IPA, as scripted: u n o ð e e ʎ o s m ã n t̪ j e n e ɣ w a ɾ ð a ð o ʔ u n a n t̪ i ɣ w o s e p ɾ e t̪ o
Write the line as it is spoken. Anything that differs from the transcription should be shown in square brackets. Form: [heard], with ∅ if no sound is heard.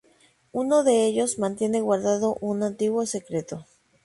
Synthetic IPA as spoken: u n o ð e e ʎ o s m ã n t̪ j e n e ɣ w a ɾ ð a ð o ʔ u n a n t̪ i ɣ w o s e [k] ɾ e t̪ o

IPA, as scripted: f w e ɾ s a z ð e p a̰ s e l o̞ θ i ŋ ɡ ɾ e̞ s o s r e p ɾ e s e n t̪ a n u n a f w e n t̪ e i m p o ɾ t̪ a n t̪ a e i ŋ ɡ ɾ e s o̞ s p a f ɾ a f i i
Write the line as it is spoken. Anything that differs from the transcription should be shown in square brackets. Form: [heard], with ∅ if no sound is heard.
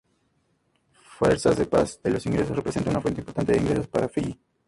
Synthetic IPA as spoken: f w e ɾ s a z ð e p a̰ s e l o̞ [s] i ŋ ɡ ɾ e̞ s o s r e p ɾ e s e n t̪ a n u n a f w e n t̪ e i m p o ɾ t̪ a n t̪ [e] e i ŋ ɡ ɾ e s o̞ s p a [∅] ɾ a f i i

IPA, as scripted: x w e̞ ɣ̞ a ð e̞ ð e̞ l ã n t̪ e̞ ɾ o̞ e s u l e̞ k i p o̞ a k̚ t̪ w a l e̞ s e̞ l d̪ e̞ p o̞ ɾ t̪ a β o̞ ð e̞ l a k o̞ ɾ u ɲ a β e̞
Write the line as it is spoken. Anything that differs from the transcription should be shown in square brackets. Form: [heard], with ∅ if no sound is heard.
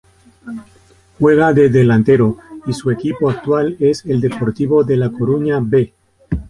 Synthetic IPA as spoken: x w e̞ ɣ̞ a ð e̞ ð e̞ l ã n t̪ e̞ ɾ o̞ [i] s u [∅] e̞ k i p o̞ a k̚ t̪ w a l e̞ s e̞ l d̪ e̞ p o̞ ɾ t̪ [i] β o̞ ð e̞ l a k o̞ ɾ u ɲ a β e̞

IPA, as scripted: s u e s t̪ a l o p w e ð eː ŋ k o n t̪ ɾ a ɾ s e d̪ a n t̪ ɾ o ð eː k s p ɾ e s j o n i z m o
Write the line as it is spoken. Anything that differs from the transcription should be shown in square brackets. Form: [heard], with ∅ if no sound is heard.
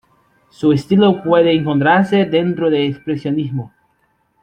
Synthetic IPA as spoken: s u e s t̪ [i] l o p w e ð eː ŋ k o n t̪ ɾ a ɾ s e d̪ [e] n t̪ ɾ o ð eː k s p ɾ e s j o n i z m o

